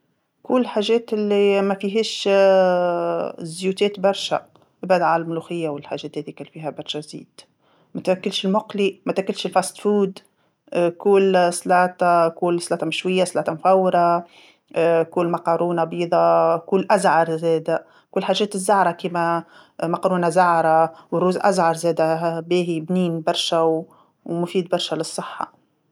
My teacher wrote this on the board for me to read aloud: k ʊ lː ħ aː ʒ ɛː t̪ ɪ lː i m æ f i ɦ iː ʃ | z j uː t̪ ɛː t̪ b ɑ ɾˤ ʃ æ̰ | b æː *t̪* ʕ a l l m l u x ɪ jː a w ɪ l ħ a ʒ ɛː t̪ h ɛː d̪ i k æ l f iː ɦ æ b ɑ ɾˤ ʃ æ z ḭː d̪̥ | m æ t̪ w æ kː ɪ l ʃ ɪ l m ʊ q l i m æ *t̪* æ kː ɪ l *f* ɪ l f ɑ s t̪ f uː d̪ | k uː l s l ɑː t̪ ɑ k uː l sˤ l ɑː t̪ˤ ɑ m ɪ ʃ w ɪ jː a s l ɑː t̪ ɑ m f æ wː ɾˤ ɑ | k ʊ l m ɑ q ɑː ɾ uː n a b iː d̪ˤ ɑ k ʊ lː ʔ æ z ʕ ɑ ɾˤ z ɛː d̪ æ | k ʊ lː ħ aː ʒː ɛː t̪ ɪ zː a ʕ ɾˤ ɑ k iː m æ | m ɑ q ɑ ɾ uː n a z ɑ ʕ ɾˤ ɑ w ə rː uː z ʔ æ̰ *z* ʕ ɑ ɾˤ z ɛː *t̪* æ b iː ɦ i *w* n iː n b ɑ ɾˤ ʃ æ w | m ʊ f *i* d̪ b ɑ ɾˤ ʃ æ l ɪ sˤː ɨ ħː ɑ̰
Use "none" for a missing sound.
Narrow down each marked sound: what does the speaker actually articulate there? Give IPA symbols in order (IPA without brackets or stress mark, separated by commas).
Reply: d̪, t̪, ʃ, z, d̪, b, iː